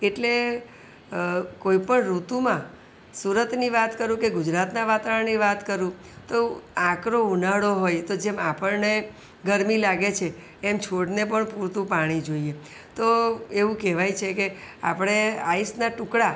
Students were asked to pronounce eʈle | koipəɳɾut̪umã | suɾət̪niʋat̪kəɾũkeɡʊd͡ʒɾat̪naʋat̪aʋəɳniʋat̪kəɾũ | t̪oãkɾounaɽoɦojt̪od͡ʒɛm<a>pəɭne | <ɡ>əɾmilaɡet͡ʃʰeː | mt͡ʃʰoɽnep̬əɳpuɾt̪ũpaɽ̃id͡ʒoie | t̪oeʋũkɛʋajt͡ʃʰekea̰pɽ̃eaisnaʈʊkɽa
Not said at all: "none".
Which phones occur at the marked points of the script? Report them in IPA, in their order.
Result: a, ɡ

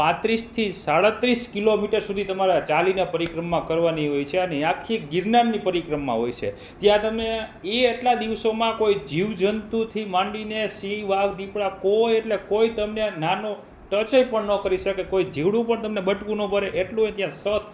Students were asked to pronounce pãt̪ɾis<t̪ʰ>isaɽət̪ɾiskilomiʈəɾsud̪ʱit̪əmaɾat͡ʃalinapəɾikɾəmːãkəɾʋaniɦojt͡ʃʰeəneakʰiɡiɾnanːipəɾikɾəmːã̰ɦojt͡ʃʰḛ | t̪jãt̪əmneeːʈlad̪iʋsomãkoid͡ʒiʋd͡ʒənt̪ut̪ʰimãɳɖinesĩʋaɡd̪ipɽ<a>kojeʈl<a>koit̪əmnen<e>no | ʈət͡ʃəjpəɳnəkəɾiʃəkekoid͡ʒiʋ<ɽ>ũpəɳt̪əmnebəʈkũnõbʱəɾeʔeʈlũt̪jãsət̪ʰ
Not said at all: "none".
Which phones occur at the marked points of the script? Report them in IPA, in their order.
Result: t̪ʰ, a, e, a, ɽ

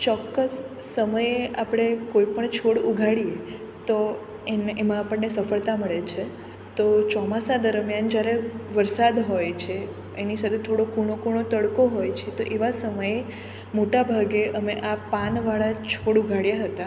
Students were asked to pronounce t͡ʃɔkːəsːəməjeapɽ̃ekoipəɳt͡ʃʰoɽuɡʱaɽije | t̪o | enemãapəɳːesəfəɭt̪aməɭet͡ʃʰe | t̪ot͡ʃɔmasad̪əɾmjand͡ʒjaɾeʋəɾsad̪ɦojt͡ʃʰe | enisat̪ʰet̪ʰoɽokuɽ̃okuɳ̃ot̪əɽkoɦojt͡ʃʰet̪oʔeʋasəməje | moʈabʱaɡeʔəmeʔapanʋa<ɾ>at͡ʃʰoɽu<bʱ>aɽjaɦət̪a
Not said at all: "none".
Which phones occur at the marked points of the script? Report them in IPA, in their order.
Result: ɭ, ɡʱ

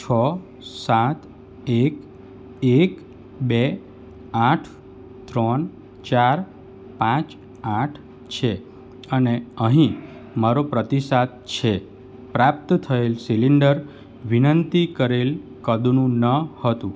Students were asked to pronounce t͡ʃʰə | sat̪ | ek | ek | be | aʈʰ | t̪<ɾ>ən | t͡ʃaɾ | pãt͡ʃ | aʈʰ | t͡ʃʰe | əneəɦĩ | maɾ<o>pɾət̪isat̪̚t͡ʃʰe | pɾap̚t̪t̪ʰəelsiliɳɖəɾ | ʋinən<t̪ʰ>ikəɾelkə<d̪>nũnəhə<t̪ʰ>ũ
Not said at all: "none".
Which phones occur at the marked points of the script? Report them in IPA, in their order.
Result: ɾ, o, t̪, d̪, t̪

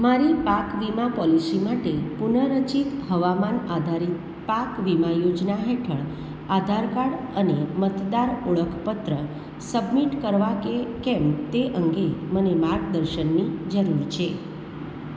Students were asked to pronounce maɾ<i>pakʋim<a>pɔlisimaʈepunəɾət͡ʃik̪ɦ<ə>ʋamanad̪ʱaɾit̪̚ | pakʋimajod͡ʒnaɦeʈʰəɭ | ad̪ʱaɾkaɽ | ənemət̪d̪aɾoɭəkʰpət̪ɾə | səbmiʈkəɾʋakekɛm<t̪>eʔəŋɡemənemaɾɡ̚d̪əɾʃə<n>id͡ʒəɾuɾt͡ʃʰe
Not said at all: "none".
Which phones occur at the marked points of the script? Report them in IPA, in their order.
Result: i, a, ə, t̪, nː

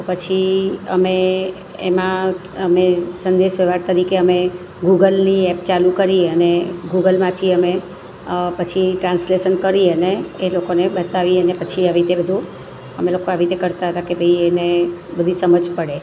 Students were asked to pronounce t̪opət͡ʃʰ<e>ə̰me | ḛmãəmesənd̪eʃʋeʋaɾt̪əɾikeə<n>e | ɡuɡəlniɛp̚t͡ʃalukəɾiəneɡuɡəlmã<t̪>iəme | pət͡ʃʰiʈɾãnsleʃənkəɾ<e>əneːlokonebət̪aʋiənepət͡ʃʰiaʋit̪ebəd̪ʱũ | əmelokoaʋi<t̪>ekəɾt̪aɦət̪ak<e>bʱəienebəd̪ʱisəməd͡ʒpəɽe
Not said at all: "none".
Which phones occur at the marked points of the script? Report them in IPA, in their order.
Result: i, m, t̪ʰ, i, t̪, e

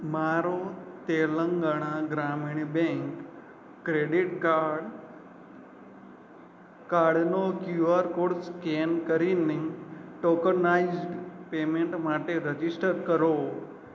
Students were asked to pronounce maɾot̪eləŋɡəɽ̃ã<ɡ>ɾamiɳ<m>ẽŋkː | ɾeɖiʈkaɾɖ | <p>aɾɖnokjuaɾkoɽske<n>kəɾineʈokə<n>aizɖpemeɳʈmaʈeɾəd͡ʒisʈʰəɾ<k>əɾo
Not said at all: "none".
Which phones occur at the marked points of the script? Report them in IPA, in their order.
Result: ɡ, b, k, n, n, k

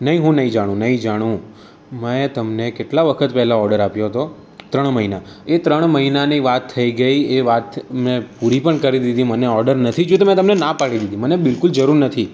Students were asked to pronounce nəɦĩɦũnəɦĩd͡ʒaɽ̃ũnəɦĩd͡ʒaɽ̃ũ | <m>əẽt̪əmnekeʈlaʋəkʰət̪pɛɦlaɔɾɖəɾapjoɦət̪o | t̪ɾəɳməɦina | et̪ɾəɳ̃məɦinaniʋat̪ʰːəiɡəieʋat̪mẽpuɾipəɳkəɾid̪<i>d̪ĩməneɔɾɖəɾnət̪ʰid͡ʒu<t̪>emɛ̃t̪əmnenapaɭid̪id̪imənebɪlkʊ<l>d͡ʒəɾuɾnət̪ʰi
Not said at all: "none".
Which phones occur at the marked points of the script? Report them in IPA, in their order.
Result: m, i, t̪, l

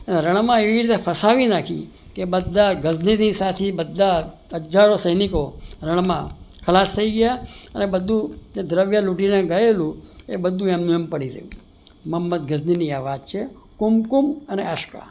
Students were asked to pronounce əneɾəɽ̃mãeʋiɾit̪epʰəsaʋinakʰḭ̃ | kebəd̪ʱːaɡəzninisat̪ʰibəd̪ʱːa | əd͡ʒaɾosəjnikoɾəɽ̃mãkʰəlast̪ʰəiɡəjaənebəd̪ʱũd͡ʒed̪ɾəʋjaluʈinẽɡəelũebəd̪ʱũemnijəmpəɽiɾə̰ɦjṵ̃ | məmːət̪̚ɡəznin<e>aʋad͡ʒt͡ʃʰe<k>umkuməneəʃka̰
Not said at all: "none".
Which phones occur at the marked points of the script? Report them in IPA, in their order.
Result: i, k

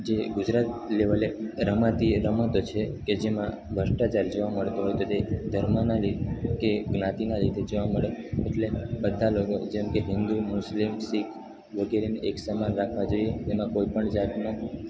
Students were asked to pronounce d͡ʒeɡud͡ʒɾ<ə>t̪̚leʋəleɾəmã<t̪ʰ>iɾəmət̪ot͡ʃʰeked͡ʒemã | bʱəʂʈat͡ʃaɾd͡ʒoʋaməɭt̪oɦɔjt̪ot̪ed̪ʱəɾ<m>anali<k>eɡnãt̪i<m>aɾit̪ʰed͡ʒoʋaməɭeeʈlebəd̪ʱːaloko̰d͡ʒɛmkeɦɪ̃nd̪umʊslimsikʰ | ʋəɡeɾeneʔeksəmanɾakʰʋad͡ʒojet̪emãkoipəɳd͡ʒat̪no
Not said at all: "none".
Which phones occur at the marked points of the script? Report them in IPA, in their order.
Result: a, t̪, m, k, n

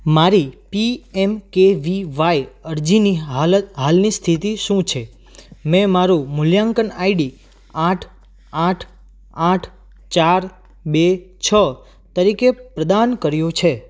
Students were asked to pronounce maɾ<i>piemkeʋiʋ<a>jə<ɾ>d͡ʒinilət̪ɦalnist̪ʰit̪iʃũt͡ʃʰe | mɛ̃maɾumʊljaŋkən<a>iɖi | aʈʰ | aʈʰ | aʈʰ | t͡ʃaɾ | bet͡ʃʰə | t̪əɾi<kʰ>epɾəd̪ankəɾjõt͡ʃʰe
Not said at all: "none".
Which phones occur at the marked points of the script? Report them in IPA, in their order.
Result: i, a, ɾ, a, k

